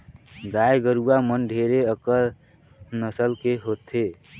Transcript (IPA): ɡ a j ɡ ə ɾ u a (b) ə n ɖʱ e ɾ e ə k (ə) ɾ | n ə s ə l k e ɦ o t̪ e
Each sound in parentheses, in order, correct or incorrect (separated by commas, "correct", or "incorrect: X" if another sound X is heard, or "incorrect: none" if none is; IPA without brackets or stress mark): incorrect: m, correct